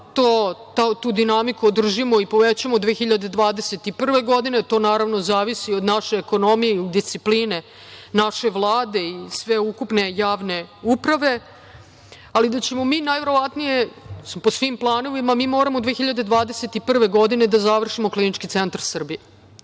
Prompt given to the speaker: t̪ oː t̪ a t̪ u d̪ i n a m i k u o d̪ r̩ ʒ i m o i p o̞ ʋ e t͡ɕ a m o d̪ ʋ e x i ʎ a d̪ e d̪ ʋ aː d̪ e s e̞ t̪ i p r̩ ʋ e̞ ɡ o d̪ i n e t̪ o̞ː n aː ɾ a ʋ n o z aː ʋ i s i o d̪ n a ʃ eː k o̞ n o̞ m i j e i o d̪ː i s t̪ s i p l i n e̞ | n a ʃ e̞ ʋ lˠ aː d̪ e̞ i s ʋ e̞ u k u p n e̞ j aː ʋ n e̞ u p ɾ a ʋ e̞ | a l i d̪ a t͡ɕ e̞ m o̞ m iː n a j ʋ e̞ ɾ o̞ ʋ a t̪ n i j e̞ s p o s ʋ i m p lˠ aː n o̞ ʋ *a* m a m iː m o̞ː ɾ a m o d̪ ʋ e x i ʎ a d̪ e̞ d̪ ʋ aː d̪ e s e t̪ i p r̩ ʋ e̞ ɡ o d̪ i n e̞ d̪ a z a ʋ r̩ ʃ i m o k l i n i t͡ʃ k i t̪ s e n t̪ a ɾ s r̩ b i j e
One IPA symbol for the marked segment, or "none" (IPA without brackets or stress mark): i